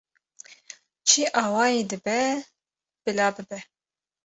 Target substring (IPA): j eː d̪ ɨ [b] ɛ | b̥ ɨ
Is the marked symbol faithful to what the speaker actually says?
yes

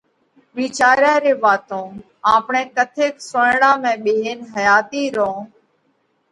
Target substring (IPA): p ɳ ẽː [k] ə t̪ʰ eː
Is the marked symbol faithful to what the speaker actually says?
yes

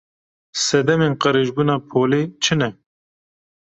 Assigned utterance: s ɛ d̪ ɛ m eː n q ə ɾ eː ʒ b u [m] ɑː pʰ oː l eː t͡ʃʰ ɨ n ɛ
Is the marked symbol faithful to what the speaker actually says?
no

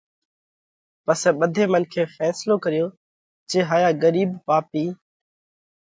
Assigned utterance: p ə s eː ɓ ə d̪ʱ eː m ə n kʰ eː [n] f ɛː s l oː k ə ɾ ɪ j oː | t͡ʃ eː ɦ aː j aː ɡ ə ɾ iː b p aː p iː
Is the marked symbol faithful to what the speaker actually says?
no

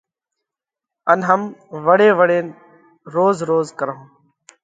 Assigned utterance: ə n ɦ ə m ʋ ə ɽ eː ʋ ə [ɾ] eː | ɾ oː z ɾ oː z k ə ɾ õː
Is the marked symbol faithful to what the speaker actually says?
no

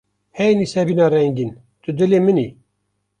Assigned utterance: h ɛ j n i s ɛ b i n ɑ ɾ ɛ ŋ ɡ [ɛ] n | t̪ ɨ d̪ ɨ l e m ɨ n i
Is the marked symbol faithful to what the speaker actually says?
no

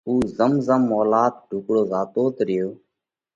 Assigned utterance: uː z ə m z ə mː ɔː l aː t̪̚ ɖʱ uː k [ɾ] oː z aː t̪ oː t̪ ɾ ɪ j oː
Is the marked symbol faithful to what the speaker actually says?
no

